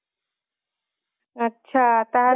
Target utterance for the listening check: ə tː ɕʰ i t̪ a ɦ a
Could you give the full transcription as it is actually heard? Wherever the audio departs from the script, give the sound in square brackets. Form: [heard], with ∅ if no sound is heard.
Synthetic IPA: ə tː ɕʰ [a] t̪ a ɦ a